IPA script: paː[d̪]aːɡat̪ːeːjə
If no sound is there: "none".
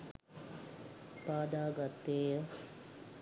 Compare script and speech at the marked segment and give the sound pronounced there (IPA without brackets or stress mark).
d̪